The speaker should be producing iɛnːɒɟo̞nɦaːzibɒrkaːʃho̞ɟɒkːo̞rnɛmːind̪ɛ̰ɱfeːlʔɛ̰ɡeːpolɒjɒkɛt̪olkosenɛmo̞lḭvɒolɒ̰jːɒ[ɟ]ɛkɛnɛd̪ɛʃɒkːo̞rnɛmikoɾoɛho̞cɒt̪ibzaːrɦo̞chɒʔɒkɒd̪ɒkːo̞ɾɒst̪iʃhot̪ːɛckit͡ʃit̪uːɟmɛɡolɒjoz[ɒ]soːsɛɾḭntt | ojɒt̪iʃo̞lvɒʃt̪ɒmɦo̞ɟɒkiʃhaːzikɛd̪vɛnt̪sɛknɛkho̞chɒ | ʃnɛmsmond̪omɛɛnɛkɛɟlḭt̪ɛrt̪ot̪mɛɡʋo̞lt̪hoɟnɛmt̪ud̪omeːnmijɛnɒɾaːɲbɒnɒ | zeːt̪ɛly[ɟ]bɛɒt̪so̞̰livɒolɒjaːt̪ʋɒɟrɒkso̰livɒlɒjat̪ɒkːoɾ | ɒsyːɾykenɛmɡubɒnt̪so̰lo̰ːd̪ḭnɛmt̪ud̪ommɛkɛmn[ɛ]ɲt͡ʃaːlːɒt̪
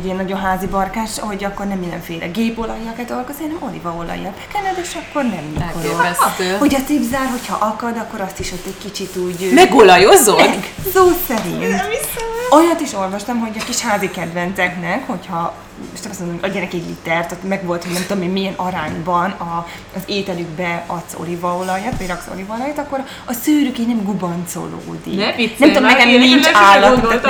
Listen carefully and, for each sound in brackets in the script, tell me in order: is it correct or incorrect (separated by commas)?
incorrect, incorrect, incorrect, incorrect